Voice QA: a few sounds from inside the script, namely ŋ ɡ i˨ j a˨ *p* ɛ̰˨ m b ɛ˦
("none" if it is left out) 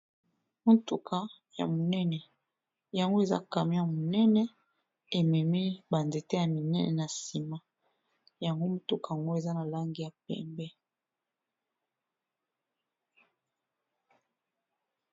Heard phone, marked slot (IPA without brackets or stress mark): p